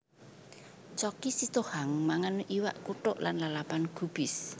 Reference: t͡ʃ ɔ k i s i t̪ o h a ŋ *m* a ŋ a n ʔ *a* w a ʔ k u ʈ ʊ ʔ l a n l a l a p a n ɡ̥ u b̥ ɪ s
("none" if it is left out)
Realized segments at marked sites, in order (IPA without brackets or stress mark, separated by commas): m, i